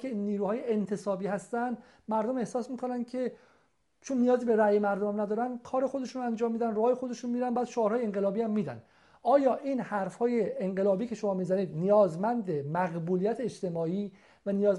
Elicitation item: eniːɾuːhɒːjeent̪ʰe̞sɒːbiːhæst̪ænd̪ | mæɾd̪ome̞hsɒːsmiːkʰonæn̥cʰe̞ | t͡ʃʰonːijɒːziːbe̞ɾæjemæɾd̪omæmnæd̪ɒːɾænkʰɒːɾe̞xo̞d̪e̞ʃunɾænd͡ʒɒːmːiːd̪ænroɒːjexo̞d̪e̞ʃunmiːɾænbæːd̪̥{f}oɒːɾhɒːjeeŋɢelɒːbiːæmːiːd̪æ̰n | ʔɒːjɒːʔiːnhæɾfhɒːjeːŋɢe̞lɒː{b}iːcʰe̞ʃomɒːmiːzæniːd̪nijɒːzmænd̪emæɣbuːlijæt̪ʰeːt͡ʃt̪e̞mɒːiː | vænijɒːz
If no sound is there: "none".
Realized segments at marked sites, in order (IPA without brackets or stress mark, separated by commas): ʃ, b